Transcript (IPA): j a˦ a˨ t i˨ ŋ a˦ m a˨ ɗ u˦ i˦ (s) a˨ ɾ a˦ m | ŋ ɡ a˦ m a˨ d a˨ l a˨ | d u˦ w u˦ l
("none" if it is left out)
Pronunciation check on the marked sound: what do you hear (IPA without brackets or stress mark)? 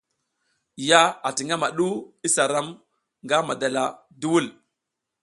s